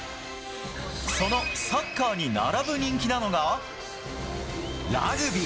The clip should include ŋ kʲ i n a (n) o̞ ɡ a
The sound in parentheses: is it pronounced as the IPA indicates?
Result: yes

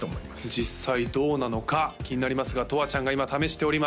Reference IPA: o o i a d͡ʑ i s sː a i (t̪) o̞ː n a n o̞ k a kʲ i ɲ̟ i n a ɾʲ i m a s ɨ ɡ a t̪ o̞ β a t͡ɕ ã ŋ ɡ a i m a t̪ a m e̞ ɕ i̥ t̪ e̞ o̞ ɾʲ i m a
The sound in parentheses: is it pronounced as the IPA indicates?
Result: no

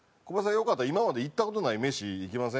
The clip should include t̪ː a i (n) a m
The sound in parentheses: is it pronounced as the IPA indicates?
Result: no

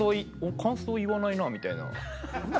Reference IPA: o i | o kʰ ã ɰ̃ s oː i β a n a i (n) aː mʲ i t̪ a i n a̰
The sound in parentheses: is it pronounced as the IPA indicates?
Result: yes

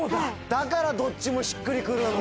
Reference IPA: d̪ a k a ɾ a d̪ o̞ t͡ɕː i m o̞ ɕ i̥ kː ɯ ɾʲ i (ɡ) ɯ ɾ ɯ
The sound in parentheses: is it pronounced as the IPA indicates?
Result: no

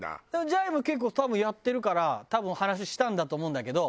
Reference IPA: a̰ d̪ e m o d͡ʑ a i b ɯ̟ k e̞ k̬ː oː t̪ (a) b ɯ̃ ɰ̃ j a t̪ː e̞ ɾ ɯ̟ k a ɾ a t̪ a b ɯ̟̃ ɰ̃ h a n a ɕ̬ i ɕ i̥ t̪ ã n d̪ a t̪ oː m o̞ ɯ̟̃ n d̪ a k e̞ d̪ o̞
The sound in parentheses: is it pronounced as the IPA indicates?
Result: yes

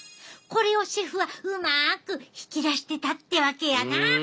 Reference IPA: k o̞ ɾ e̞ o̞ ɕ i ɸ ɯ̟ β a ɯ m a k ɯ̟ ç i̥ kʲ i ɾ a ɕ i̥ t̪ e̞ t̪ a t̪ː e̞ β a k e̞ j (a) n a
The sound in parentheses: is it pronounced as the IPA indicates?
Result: yes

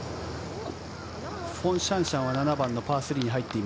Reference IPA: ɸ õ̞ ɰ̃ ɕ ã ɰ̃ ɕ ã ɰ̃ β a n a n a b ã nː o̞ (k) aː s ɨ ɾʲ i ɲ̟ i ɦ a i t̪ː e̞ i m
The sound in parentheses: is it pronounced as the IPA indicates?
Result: no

